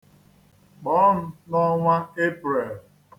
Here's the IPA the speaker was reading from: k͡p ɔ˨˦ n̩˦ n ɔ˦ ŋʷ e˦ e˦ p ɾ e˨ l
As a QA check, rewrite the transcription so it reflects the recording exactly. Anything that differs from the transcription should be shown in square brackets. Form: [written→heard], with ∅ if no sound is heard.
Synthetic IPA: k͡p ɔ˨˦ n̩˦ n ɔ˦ ŋʷ [e˦→a˦] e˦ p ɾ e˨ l